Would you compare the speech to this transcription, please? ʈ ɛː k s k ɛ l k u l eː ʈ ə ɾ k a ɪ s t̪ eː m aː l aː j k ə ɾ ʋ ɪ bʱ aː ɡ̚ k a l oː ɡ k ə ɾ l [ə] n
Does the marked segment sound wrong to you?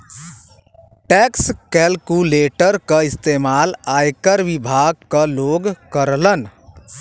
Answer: no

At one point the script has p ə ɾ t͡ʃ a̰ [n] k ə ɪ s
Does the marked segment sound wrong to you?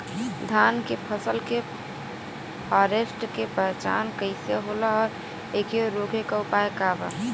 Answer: no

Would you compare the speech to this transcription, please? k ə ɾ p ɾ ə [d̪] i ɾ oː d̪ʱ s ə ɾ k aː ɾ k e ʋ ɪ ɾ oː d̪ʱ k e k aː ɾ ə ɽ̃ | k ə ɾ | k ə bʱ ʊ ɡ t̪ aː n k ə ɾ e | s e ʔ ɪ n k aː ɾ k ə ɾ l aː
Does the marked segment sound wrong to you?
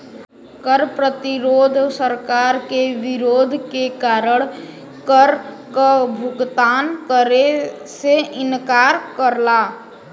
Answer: yes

